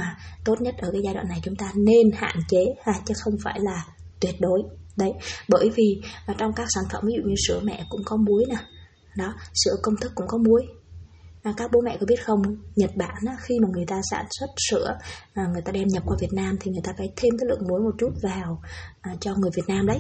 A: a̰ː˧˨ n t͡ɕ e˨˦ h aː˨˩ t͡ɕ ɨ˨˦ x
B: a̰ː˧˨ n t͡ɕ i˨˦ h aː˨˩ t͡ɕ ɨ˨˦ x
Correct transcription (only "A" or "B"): A